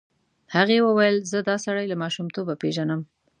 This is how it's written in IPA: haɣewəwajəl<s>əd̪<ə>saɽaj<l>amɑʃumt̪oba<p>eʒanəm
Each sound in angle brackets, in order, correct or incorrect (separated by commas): incorrect, incorrect, correct, correct